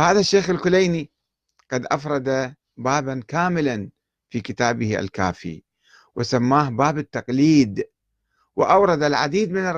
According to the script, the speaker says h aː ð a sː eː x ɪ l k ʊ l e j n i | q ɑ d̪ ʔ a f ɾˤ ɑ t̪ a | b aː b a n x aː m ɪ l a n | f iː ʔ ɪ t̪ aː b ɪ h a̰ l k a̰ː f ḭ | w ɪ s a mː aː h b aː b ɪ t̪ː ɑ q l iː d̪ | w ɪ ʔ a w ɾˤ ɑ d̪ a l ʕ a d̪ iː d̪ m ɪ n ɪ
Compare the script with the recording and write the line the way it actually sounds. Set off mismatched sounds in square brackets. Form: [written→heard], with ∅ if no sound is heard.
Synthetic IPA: h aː ð a [sː→ʃː] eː x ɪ l k ʊ l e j n i | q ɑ d̪ ʔ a f ɾˤ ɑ [t̪→d̪] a | b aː b a n [x→k] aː m ɪ l a n | f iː [ʔ→k] ɪ t̪ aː b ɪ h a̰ l k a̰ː f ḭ | w ɪ s a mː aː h b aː b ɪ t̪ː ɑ q l iː d̪ | w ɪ ʔ a w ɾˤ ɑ d̪ a l ʕ a d̪ iː d̪ m ɪ n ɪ